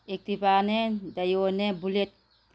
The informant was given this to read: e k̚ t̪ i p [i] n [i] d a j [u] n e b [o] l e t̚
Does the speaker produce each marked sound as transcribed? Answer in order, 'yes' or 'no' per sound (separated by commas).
no, no, no, no